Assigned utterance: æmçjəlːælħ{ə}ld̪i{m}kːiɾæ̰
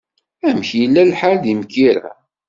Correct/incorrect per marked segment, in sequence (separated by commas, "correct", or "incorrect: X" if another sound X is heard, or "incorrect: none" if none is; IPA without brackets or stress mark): incorrect: a, correct